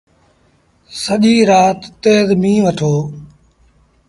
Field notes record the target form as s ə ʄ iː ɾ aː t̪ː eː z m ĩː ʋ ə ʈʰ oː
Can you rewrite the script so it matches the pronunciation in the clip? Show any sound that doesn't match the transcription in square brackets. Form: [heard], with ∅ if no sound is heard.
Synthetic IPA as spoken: s ə ʄ iː ɾ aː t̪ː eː z m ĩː ʋ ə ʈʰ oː